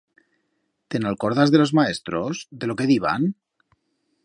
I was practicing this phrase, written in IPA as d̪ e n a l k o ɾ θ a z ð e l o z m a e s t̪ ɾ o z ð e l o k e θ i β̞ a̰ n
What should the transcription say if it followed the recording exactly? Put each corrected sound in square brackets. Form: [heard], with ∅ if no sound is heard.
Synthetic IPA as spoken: [t̪] e n a l k o ɾ [ð] a z ð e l o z m a e s t̪ ɾ o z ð e l o k e [ð] i β̞ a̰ n